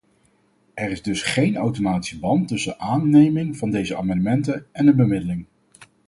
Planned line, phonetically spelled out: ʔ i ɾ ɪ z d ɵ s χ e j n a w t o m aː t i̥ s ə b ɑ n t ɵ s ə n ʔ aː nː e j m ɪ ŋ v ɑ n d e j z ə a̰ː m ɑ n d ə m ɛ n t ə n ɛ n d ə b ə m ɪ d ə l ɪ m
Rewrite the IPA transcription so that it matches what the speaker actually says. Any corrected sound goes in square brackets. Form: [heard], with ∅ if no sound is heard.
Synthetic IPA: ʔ [ɛ] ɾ ɪ z d ɵ s χ e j n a w t o m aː t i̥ s ə b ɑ n t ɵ s ə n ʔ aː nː e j m ɪ ŋ v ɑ n d e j z ə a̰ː m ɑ n d ə m ɛ n t ə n ɛ n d ə b ə m ɪ d ə l ɪ [ŋ]

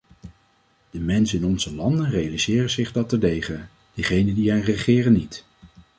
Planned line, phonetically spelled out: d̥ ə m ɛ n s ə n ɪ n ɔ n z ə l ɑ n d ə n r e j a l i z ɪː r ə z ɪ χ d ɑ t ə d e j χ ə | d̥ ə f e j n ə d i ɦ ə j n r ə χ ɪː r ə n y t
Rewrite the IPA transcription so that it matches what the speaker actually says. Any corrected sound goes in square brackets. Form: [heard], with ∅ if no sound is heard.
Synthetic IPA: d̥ ə m ɛ n s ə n ɪ n ɔ n z ə l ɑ n d ə n r e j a l i z ɪː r ə z ɪ χ d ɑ t ə d e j χ ə | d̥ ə [χ] e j n ə d i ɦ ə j n r ə χ ɪː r ə n [i] t

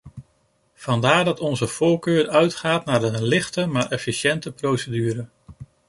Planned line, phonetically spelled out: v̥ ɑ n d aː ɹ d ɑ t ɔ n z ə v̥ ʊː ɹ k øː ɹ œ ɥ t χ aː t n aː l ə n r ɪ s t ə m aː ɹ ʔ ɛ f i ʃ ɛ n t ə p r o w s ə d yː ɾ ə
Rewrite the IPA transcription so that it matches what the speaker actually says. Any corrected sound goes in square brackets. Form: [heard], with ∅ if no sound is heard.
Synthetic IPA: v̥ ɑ n d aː ɹ d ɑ t ɔ n z ə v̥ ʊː ɹ k øː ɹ œ ɥ t χ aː t n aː [ɹ] ə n [l] ɪ [χ] t ə m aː ɹ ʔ ɛ f i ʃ ɛ n t ə p r o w s ə d yː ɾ ə

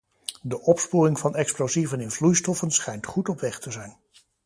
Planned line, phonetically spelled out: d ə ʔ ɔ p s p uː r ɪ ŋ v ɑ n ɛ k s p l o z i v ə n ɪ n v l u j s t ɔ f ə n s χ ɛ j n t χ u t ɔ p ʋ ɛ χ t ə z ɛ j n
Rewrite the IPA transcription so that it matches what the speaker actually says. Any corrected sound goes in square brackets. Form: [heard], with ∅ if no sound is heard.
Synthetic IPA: d ə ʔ ɔ p s p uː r ɪ ŋ v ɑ n ɛ k s p l o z i v ə n ɪ n v l u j s t ɔ f ə n s χ ɛ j n t χ u t ɔ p ʋ ɛ χ t ə z ɛ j n

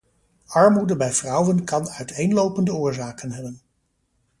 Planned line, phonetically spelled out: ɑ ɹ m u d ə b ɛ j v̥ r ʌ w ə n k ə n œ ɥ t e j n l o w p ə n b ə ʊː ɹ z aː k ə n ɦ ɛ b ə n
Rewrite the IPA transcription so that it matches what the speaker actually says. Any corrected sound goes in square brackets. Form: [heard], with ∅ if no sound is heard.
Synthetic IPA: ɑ ɹ m u d ə b ɛ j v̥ r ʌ w ə n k [ɑ] n œ ɥ t e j n l o w p ə n [d] ə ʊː ɹ z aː k ə n ɦ ɛ b ə n

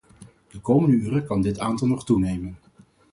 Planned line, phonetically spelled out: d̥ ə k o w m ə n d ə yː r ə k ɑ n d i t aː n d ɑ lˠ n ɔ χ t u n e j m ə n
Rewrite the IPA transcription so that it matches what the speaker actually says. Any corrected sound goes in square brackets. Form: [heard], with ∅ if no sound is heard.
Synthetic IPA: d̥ ə k o w m ə n d ə yː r ə k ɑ n d [ɪ] t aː n [t] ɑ lˠ n ɔ χ t u n e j m ə n

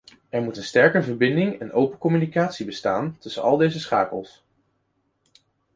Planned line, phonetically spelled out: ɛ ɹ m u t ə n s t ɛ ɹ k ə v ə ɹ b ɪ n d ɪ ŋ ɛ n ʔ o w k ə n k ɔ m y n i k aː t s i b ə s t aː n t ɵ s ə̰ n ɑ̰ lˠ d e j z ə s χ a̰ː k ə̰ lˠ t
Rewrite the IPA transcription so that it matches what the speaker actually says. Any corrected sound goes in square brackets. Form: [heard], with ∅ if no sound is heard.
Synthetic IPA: ɛ ɹ m u t ə n s t ɛ ɹ k ə v ə ɹ b ɪ n d ɪ ŋ ɛ n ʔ o w [p] ə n k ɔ m y n i k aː t s i b ə s t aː n t ɵ s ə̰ n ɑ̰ lˠ d e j z ə s χ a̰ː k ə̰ lˠ [s]

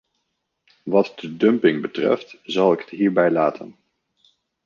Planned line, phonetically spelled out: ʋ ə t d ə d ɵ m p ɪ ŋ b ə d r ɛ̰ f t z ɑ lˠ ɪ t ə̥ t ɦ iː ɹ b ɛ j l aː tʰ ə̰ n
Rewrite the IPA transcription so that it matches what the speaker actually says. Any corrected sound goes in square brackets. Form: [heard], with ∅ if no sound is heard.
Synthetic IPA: ʋ [ɑ] t d ə d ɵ m p ɪ ŋ b ə [t] r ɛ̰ f t z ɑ lˠ ɪ [k] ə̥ t ɦ iː ɹ b ɛ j l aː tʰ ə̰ n

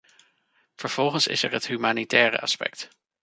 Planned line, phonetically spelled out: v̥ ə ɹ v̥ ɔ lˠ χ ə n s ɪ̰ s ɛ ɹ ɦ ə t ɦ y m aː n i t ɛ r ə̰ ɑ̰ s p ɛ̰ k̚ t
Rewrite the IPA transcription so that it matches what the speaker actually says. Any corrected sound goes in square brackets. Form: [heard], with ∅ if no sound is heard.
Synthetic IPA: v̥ ə ɹ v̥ ɔ lˠ χ ə n s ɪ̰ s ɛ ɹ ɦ ə t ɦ y m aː n i t [ɛː] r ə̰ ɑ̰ s p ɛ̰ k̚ t

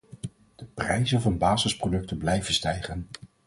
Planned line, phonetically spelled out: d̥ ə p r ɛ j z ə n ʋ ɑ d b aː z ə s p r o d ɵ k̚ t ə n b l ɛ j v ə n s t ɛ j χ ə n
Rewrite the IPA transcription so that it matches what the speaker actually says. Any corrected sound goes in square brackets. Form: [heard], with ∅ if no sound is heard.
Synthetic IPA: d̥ ə p r ɛ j z ə n [v] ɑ [n] b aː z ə s p r o d ɵ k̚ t ə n b l ɛ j v ə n s t ɛ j χ ə n

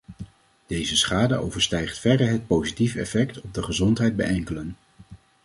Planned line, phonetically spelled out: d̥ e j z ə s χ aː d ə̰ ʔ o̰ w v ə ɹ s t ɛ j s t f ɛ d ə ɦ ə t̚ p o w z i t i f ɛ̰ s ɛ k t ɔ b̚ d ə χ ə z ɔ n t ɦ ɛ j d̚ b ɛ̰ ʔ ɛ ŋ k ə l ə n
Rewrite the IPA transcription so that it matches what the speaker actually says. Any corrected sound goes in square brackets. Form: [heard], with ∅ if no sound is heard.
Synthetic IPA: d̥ e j z ə s χ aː d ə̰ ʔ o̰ w v ə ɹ s t ɛ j [χ] t f ɛ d ə ɦ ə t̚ p o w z i t i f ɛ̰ [f] ɛ k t ɔ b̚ d ə χ ə z ɔ n t ɦ ɛ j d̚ b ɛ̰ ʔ ɛ ŋ k ə l ə n

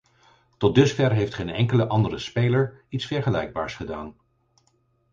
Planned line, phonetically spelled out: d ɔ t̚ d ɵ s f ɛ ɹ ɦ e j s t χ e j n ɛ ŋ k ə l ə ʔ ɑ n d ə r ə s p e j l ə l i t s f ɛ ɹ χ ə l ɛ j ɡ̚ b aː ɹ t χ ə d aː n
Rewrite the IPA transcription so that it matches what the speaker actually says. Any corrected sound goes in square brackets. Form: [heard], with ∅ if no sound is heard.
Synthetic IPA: [t] ɔ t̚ d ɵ s f ɛ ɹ ɦ e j [f] t χ e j n ɛ ŋ k ə l ə ʔ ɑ n d ə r ə s p e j l ə [ɹ] i t s f ɛ ɹ χ ə l ɛ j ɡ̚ b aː ɹ [s] χ ə d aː n

